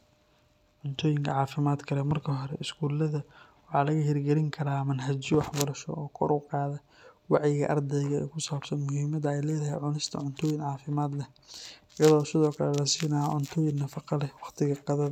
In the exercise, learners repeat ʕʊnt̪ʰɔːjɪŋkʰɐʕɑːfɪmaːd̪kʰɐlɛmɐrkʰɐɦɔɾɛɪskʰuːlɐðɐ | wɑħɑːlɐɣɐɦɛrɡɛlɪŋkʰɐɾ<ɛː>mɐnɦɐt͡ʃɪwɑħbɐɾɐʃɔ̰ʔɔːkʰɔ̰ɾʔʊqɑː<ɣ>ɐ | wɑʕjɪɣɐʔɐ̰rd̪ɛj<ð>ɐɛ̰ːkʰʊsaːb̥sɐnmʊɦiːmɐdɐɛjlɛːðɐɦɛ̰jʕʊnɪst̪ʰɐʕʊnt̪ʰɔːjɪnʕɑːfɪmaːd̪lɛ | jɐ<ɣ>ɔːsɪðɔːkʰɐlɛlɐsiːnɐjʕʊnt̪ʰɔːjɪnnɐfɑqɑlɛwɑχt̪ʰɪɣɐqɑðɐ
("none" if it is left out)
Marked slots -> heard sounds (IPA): aː, ð, ɣ, ð

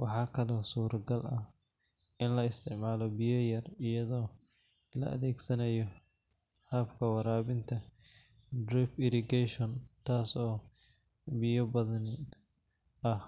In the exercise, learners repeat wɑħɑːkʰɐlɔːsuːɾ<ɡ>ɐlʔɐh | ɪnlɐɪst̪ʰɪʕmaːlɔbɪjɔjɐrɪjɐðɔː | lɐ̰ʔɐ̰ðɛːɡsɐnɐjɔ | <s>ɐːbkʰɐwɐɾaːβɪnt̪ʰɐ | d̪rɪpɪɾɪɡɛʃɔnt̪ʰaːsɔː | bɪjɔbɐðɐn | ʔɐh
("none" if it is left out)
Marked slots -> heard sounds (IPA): ɡ, h

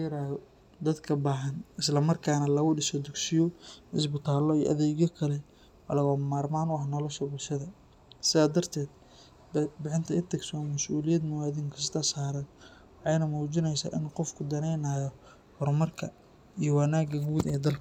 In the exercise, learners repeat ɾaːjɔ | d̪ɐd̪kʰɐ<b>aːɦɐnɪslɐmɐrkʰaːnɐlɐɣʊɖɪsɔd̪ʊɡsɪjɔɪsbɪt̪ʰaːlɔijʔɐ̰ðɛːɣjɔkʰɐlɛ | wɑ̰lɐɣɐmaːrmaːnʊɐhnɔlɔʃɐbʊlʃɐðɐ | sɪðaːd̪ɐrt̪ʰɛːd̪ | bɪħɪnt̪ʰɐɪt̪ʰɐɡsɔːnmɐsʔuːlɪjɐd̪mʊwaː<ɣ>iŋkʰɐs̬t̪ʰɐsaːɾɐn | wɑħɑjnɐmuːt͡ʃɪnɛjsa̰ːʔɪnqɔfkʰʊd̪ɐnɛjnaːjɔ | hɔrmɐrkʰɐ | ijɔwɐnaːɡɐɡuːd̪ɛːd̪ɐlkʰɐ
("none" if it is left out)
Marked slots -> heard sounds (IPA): b, ð

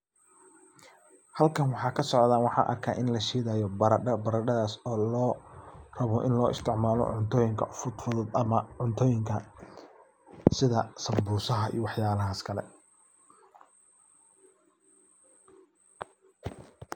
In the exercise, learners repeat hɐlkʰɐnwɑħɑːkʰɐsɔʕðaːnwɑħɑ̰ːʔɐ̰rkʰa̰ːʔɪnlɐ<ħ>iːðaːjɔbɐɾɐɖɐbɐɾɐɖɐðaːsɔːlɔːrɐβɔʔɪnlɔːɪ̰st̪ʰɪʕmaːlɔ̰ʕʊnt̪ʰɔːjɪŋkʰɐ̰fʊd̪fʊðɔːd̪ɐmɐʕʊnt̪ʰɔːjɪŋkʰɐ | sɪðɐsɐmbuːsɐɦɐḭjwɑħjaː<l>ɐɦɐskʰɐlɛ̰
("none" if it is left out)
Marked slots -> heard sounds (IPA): ʃ, l

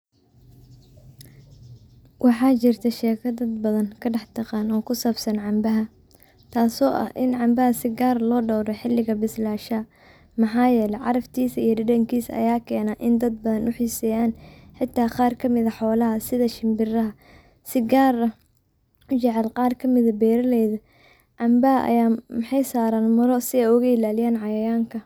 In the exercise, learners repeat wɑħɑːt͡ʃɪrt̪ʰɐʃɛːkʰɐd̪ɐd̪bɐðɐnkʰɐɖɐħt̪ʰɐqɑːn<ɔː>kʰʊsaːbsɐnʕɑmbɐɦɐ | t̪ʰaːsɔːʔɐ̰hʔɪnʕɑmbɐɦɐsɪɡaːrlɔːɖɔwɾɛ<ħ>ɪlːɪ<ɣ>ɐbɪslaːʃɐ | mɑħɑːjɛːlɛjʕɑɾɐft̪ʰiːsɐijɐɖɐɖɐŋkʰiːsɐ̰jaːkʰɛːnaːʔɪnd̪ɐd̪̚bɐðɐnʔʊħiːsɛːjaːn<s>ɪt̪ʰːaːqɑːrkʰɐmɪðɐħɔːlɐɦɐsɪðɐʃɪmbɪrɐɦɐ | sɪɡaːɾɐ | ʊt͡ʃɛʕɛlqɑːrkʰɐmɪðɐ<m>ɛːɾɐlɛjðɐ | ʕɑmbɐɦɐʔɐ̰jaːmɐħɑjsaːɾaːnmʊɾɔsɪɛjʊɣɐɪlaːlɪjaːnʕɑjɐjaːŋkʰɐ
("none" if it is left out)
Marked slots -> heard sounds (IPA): ɔː, ħ, ɣ, ħ, b

